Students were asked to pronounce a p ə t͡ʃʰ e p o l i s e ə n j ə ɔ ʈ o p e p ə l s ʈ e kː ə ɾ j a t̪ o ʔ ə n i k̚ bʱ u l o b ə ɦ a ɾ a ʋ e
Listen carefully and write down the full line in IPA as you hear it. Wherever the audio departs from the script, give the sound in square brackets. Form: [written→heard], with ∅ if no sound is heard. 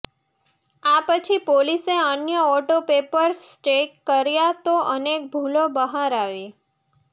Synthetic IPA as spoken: a p ə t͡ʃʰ [e→i] p o l i s e ə n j ə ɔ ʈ o p e p ə [l→ɾ] s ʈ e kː ə ɾ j a t̪ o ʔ ə n [i→e] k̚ bʱ u l o b ə ɦ a ɾ a ʋ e